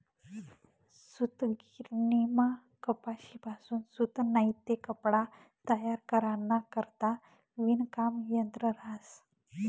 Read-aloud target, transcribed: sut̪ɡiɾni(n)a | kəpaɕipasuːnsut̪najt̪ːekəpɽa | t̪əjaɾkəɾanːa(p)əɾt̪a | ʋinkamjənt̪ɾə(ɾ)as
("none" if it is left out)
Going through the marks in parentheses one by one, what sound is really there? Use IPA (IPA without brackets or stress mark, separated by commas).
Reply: m, k, ɾ